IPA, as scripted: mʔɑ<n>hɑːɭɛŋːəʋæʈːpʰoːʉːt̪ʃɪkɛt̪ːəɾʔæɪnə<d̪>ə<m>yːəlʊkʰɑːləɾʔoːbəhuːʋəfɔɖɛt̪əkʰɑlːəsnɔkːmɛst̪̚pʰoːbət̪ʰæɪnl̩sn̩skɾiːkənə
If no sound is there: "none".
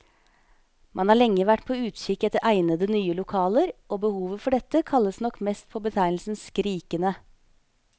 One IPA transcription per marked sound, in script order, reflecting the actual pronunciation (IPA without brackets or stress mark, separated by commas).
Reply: n, d̪, n